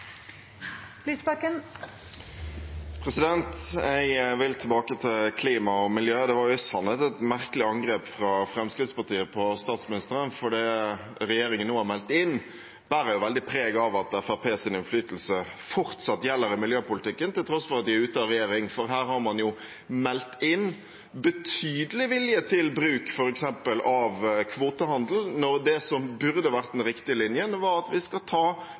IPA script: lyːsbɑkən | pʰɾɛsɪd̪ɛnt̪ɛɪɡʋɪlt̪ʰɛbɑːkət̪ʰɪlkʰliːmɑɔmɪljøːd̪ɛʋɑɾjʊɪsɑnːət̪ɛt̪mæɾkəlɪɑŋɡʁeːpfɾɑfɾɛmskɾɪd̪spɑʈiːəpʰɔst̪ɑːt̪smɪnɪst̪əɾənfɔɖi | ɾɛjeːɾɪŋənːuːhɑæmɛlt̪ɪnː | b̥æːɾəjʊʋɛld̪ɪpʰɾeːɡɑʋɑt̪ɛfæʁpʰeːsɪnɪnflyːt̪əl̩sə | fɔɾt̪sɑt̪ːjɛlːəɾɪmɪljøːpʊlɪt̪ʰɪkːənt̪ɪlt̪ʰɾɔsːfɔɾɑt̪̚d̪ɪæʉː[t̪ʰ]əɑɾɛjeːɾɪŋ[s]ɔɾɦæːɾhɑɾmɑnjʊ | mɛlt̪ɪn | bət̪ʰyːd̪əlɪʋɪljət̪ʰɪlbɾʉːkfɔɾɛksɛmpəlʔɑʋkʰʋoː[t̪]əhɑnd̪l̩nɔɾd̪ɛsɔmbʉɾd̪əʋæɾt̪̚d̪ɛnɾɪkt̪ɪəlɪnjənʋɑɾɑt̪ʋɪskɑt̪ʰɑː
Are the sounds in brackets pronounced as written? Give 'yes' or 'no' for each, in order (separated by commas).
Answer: no, no, yes